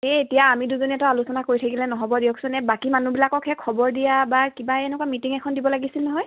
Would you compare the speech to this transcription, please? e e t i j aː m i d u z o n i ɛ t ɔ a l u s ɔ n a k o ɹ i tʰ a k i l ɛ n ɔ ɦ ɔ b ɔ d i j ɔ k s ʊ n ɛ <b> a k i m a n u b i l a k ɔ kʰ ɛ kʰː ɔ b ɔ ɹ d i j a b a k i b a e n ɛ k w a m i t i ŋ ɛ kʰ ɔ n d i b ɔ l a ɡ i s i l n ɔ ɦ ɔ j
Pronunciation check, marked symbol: correct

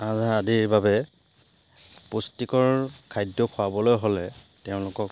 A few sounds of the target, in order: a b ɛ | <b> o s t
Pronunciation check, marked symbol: incorrect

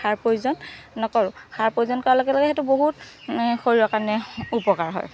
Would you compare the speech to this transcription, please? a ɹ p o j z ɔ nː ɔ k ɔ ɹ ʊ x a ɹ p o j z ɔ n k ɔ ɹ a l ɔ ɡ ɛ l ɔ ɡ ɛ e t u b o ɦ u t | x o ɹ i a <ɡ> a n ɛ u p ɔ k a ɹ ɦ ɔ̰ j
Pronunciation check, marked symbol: incorrect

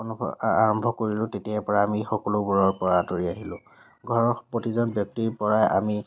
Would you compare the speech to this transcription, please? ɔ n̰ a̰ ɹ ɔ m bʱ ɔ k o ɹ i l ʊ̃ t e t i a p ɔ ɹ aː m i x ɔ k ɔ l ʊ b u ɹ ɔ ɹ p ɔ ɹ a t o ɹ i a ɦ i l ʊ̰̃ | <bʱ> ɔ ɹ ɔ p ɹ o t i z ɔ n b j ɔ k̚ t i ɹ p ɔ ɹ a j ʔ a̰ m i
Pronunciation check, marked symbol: incorrect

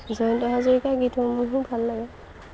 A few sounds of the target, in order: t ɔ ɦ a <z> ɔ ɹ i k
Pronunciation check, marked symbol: correct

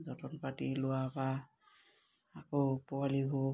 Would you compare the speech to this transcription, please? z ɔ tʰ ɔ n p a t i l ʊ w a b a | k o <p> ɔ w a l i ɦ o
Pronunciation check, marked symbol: correct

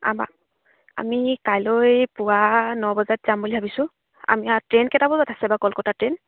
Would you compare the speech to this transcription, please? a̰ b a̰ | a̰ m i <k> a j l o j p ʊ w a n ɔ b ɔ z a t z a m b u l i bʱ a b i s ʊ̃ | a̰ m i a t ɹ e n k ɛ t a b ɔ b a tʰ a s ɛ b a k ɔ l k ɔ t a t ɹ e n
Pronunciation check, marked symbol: correct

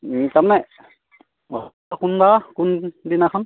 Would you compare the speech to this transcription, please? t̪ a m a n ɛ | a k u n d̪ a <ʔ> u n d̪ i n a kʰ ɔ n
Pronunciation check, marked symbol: incorrect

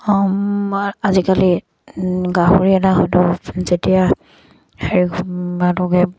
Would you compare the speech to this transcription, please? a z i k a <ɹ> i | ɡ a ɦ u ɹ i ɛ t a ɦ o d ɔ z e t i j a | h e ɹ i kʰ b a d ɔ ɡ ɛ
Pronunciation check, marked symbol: incorrect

